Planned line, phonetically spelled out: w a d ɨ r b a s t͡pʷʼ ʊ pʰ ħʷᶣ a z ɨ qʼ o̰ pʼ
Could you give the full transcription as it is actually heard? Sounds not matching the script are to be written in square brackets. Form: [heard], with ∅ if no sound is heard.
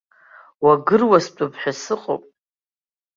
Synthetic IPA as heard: w a [ɡ] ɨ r [w] a s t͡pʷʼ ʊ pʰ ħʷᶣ a [s] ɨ qʼ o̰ pʼ